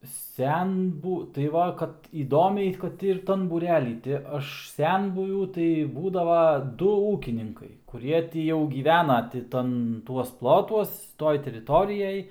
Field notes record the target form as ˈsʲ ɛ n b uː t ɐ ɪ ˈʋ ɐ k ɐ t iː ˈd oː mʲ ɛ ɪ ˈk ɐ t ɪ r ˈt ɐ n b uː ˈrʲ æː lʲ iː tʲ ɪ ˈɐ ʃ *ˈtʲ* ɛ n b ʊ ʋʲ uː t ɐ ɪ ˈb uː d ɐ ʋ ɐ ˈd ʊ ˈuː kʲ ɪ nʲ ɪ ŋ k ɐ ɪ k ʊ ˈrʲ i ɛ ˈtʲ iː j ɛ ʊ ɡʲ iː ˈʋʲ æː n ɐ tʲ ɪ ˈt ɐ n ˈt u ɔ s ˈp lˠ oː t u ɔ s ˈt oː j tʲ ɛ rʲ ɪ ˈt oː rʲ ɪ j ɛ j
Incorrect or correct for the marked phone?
incorrect: sʲ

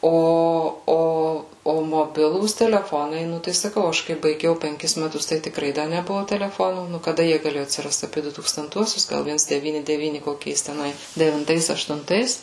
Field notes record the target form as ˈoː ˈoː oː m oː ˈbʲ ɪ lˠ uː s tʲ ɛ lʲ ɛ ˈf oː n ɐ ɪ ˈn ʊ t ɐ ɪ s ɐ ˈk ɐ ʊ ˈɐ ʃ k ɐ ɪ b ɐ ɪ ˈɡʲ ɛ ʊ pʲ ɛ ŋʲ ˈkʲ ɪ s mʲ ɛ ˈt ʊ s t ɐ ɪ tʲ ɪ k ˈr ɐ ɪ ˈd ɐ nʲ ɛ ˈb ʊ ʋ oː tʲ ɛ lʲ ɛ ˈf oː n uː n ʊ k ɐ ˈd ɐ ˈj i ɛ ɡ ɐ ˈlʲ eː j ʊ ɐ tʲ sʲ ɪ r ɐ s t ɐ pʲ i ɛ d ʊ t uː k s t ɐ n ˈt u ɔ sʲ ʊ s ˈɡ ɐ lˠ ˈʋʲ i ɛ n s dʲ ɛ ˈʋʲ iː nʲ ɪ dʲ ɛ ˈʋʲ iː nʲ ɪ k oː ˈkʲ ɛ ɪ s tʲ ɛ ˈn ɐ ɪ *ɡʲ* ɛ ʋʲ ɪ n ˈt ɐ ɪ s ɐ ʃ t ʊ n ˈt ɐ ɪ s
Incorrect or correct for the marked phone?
incorrect: dʲ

